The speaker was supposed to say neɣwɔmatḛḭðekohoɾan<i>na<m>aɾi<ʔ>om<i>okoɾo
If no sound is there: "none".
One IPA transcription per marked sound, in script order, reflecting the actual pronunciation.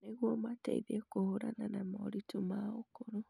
a, m, t, a

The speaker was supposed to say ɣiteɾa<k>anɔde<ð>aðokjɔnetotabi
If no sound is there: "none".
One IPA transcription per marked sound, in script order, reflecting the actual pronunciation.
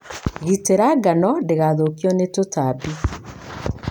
ɡ, ɣ

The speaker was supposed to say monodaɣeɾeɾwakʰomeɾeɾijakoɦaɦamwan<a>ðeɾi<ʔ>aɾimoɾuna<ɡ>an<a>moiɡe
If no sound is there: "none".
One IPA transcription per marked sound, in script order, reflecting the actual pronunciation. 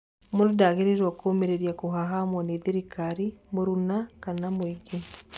e, k, k, a

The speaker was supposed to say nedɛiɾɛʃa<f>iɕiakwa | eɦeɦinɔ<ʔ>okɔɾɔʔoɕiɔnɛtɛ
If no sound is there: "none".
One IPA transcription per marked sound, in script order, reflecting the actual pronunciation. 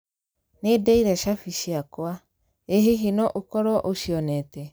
f, ʔ

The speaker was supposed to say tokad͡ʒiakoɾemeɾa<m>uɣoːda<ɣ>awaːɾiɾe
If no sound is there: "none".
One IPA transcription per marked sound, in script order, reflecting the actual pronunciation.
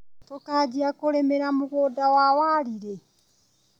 m, w

